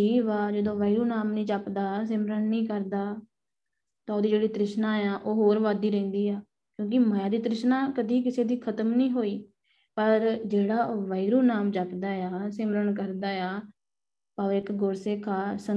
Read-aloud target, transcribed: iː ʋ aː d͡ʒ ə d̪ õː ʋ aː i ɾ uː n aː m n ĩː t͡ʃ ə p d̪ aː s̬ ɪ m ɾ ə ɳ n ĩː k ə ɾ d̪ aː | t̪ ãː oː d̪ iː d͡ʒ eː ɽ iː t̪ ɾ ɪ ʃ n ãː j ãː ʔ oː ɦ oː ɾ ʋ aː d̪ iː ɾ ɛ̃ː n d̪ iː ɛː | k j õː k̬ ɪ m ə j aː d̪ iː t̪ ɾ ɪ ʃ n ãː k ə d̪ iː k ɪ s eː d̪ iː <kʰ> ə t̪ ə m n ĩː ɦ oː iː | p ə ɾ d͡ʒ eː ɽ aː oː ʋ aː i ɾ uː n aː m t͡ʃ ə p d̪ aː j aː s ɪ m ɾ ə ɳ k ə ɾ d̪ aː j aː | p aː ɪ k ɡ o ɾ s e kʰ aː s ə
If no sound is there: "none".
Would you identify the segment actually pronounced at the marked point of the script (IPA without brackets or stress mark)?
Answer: kʰ